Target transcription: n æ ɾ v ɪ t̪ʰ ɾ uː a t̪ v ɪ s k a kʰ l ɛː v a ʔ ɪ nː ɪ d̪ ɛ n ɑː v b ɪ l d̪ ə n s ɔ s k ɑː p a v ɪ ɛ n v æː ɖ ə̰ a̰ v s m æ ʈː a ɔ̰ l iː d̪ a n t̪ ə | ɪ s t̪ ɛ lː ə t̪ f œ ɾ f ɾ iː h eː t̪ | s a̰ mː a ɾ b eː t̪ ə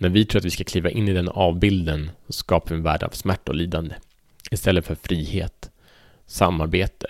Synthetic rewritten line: n æ ɾ v ɪ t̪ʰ ɾ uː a t̪ v ɪ s k a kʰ l iː v a ʔ ɪ nː ɪ d̪ ɛ n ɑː v b ɪ l d̪ ə n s ɔ s k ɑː p a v ɪ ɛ n v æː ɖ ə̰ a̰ v s m æ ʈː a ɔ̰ l iː d̪ a n d̪ ə | ɪ s t̪ ɛ lː ə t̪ f œ ɾ f ɾ iː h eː t̪ | s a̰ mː a ɾ b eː t̪ ə